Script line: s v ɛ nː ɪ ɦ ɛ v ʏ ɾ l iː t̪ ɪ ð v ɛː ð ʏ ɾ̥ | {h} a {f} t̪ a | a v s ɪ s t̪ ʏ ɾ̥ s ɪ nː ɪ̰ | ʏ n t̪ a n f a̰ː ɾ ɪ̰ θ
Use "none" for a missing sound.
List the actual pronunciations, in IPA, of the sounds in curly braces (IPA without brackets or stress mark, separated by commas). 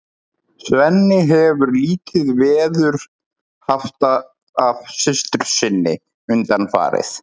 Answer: h, f